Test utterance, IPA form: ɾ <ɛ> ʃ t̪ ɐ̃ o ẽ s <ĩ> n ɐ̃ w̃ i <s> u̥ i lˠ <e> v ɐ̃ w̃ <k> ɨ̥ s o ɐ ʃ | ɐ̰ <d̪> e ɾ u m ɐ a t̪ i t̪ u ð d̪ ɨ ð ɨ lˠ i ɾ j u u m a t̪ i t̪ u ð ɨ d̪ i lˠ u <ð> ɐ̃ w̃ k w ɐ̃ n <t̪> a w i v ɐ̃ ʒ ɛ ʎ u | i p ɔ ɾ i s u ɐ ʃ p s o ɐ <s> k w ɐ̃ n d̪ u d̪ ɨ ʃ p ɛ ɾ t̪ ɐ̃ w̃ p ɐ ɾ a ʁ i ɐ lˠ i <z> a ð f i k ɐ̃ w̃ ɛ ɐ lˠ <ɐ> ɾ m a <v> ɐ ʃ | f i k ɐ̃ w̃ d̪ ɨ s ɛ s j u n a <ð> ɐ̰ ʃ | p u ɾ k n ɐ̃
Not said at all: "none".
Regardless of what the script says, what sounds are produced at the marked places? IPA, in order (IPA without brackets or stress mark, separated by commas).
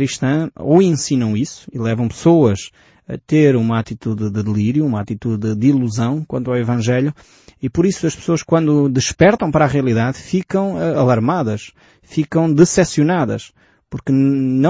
i, i, s, ɛ, p, t̪, z, t̪, ʃ, ð, ɐ, ð, ð